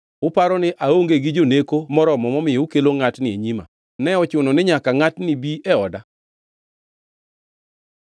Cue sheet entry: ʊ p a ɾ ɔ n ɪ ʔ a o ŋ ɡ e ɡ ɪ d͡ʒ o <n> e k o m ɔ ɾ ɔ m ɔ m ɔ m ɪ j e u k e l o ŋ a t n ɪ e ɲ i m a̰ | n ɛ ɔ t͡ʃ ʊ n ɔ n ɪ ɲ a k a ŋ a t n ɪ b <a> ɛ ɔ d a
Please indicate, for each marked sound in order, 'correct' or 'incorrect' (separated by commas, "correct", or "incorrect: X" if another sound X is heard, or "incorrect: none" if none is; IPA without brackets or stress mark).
correct, incorrect: i